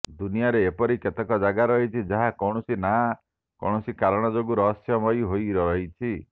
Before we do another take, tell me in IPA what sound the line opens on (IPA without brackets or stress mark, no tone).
d̪